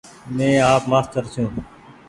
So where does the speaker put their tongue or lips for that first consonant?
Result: lips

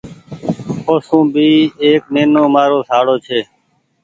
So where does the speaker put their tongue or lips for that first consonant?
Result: tongue tip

